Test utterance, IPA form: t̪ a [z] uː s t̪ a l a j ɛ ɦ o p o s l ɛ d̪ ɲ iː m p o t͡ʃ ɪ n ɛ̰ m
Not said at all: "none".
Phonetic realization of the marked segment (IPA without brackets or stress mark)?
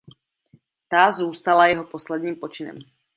z